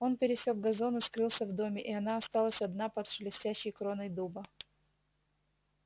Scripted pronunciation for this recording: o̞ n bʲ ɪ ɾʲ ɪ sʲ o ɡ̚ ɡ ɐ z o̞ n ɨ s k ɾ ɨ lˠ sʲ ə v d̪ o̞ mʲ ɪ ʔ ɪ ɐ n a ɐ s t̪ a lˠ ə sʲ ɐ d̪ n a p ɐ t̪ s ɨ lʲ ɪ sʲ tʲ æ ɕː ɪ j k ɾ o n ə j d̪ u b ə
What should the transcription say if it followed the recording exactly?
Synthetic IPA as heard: o̞ n pʲ ɪ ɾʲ ɪ sʲ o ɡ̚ ɡ ɐ z o̞ n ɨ s k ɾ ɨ lˠ sʲ ə v d̪ o̞ mʲ ɪ ʔ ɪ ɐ n a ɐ s t̪ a lˠ ə sʲ ɐ d̪ n a p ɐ t̪ ʂ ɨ lʲ ɪ sʲ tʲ æ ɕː ɪ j k ɾ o n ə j d̪ u b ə